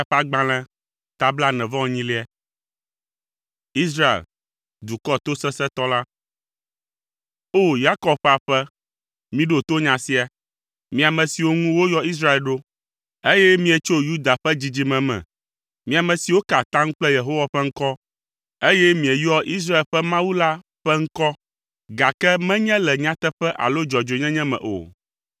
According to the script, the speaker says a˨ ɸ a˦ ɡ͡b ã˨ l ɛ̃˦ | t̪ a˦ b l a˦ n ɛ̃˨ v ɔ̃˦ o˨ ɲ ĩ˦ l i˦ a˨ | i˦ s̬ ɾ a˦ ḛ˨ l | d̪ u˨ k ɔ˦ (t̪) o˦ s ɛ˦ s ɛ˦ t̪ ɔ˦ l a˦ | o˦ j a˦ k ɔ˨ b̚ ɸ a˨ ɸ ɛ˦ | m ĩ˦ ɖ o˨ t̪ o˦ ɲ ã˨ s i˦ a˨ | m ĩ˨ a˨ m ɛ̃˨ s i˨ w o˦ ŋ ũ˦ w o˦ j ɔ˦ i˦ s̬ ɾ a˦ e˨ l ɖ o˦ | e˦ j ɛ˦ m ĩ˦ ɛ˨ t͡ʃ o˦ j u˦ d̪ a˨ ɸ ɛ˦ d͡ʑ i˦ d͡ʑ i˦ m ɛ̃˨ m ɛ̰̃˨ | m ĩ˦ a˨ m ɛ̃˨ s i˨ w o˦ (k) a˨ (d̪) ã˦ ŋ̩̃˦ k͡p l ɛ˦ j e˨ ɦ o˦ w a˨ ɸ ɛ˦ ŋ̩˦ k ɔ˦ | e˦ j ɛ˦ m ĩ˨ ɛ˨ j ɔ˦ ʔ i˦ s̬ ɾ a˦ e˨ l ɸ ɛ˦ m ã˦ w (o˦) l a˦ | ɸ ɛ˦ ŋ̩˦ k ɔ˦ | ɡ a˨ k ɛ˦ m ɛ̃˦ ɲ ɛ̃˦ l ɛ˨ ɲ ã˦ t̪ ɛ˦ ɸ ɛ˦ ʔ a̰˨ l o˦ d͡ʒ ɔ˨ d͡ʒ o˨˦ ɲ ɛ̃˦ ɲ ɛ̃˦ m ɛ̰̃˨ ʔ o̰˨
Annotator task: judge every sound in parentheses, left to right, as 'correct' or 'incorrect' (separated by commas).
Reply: correct, correct, incorrect, incorrect